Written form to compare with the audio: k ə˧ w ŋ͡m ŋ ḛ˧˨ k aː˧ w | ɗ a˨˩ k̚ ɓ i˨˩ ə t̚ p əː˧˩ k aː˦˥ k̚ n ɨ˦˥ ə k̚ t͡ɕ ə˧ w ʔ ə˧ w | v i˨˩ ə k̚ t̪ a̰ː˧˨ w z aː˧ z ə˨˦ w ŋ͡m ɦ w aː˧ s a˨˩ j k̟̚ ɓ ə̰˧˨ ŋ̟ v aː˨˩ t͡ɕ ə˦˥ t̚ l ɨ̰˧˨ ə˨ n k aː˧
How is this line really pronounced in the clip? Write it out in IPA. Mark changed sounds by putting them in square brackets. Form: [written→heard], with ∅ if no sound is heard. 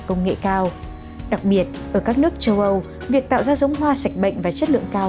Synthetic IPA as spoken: k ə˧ w ŋ͡m ŋ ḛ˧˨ k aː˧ w | ɗ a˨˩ k̚ ɓ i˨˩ ə t̚ [p→ʔ] əː˧˩ k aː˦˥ k̚ n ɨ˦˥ ə k̚ t͡ɕ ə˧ w ʔ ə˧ w | v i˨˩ ə k̚ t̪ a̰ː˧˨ w z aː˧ z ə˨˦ w ŋ͡m ɦ w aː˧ s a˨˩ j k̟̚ ɓ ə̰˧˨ ŋ̟ v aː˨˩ t͡ɕ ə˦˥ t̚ l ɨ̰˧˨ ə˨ [n→ŋ] k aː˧